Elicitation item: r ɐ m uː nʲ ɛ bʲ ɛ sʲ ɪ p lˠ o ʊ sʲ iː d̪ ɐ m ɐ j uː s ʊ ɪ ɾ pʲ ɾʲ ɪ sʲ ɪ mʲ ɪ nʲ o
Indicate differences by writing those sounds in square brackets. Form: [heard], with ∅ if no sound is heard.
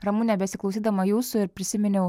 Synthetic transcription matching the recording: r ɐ m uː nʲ ɛ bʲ ɛ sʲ ɪ [k] lˠ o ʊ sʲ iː d̪ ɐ m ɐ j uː s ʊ ɪ ɾ pʲ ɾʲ ɪ sʲ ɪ mʲ ɪ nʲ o